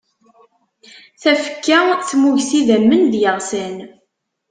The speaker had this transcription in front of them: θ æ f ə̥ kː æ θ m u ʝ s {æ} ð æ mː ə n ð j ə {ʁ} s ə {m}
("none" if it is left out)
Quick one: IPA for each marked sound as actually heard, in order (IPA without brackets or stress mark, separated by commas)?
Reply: i, ʁ, n